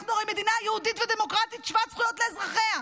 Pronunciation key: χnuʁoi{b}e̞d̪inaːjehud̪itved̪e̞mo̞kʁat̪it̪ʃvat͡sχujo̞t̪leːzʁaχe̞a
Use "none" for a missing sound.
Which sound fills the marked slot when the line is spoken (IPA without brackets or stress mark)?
m